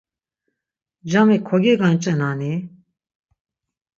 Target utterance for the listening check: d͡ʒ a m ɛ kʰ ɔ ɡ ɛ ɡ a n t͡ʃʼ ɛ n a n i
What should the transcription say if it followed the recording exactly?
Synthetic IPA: d͡ʒ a m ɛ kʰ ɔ ɡ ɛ ɡ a n t͡ʃʼ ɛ n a n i

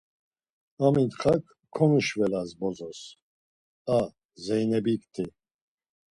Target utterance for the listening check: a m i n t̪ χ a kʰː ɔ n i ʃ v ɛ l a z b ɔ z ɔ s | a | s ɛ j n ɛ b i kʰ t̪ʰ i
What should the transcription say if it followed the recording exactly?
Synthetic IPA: a m i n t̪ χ a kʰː ɔ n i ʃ v ɛ l a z b ɔ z ɔ s | a | z ɛ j n ɛ b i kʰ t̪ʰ i

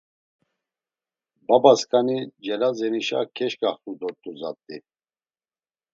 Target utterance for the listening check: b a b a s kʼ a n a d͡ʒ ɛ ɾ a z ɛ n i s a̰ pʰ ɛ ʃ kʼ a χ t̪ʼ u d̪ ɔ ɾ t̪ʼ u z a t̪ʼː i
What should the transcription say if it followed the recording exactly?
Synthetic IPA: b a b a s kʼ a n i d͡ʒ ɛ l a z ɛ n i ʃ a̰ kʰ ɛ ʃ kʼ a χ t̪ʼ u d̪ ɔ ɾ t̪ʼ u z a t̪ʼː i

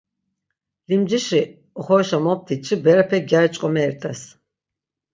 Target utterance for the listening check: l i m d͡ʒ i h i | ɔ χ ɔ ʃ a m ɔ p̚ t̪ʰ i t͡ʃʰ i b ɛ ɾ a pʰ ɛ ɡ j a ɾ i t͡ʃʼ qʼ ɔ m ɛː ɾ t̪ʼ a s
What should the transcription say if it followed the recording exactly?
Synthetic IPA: l i m d͡ʒ i ʃ i | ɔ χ ɔ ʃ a m ɔ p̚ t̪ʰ i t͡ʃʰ i b ɛ ɾ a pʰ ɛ ɡ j a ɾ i t͡ʃʼ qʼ ɔ m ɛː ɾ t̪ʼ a s

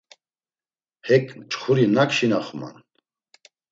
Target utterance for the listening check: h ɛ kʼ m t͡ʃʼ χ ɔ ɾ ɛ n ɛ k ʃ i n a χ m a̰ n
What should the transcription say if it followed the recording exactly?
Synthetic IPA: h ɛ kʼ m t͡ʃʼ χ u ɾ i n a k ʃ i n a χ m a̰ n

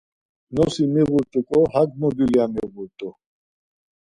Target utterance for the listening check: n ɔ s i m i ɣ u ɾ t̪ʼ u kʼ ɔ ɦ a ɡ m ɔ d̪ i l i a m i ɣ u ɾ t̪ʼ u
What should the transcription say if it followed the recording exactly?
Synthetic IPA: n ɔ s i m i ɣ u ɾ t̪ʼ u kʼ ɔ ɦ a ɡ m ɔ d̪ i l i a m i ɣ u ɾ t̪ʼ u

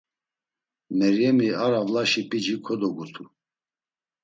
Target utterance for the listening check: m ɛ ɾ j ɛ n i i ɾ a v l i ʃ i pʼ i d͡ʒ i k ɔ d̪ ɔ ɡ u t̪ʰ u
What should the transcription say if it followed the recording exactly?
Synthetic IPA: m ɛ ɾ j ɛ m i a ɾ a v l a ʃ i pʼ i d͡ʒ i kʰ ɔ d̪ ɔ ɡ u t̪ʰ u

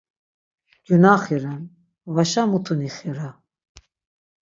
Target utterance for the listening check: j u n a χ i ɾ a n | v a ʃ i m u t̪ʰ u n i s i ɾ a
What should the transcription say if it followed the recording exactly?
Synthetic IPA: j u n a χ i ɾ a n | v a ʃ a m u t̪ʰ u n i χ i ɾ a

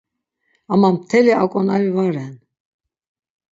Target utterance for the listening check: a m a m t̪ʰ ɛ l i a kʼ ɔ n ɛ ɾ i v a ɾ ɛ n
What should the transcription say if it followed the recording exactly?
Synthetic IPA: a m a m t̪ʰ ɛ l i a kʼ ɔ n a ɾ i v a ɾ ɛ n

